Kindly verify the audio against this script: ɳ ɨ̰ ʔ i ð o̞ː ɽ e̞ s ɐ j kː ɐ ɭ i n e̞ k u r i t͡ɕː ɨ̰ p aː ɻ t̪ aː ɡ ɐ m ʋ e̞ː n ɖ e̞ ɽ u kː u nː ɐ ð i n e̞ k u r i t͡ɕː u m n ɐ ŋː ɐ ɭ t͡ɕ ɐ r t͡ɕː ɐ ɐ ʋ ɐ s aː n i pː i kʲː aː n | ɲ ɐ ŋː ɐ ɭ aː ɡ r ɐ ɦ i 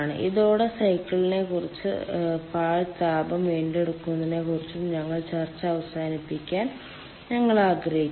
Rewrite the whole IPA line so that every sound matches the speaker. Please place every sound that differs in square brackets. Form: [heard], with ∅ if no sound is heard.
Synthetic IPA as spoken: ɳ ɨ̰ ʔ i ð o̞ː ɽ e̞ s ɐ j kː ɐ ɭ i n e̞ k u r i t͡ɕː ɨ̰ p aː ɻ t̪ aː [b] ɐ m ʋ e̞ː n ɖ e̞ ɽ u kː u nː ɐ ð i n e̞ k u r i t͡ɕː u m [ɲ] ɐ ŋː ɐ ɭ t͡ɕ ɐ r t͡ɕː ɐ ɐ ʋ ɐ s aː n i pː i kʲː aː n | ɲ ɐ ŋː ɐ ɭ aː ɡ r ɐ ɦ i